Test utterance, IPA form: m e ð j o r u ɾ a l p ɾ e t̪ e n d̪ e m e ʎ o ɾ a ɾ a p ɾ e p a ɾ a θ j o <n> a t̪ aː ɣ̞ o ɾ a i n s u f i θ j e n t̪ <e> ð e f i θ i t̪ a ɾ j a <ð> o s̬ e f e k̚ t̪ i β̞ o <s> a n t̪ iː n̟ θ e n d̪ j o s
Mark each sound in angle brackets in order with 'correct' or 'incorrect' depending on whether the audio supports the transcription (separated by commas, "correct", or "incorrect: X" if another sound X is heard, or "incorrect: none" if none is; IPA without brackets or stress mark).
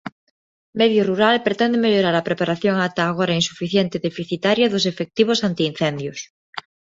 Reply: incorrect: ŋ, correct, correct, correct